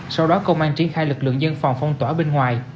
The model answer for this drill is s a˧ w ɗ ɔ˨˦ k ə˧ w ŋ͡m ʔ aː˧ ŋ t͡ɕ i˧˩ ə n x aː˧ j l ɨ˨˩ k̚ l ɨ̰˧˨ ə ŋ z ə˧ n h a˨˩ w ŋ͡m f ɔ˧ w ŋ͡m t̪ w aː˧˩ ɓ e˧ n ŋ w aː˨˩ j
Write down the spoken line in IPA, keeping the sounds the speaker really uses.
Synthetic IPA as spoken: s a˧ w ɗ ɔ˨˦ k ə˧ w ŋ͡m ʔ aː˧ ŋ t͡ɕ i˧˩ ə n x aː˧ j l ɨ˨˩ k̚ l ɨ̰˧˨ ə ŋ z ə˧ n f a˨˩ w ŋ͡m f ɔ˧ w ŋ͡m t̪ w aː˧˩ ɓ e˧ n ŋ w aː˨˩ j